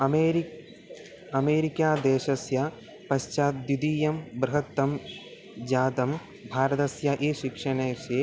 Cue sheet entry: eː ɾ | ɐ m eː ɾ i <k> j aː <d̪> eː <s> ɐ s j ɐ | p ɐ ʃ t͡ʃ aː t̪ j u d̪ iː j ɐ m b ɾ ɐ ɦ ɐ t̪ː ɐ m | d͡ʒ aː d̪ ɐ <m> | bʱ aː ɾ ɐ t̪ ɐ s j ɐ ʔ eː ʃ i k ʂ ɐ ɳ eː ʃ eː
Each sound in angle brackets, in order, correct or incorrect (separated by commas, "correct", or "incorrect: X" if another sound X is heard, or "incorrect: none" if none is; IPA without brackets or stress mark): correct, correct, incorrect: ʃ, correct